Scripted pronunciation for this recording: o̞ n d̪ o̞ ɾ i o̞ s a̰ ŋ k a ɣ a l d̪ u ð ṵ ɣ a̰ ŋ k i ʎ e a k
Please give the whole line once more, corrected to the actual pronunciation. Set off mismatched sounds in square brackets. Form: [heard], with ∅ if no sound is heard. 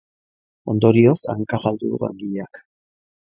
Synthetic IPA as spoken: o̞ n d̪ o̞ ɾ i o̞ s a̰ ŋ k a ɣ a l d̪ u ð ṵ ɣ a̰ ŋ [ɡ] i ʎ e a k